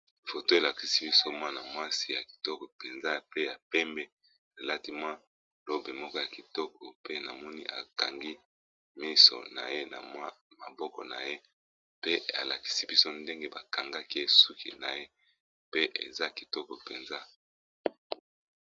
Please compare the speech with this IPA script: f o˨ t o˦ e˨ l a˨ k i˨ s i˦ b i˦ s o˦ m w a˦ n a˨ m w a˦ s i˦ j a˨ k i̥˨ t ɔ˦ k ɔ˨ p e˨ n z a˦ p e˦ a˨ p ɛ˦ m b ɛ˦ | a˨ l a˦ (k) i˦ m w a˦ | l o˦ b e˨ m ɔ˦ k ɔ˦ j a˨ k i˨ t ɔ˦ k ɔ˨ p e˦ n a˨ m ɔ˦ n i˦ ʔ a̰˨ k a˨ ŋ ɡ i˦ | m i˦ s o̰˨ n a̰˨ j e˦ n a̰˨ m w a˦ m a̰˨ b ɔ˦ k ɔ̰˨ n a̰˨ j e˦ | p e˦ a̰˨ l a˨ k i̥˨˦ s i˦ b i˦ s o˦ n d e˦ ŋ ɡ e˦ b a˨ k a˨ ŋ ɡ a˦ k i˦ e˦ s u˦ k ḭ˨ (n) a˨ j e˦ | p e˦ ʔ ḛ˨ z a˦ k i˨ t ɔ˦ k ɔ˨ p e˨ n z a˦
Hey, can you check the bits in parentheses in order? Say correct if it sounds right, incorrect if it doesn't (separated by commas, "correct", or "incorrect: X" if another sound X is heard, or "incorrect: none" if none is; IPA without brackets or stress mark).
incorrect: t, correct